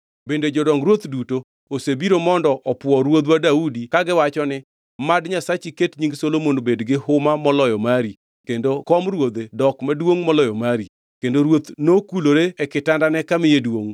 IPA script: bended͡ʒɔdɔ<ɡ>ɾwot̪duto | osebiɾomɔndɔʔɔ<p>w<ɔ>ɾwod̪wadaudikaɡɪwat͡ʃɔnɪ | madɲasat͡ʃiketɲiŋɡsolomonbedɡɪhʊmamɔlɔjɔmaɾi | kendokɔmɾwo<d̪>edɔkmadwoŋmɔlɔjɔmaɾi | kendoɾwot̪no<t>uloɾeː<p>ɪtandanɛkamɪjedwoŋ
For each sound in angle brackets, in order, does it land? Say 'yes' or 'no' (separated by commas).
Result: no, yes, yes, yes, no, no